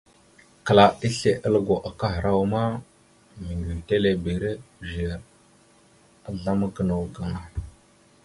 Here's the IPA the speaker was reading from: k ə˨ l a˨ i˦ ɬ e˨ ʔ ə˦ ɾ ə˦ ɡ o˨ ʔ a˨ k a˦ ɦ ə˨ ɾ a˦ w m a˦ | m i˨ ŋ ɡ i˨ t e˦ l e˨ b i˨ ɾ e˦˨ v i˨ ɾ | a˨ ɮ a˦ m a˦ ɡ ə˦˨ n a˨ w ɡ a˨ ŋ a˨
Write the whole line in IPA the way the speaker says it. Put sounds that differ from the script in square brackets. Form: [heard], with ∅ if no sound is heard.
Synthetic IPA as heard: k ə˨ l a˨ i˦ ɬ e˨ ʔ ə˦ [l] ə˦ ɡ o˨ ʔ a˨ k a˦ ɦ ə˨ ɾ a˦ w m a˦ | m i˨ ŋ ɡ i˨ t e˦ l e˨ b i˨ ɾ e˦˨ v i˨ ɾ | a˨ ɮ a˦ m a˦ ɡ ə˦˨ n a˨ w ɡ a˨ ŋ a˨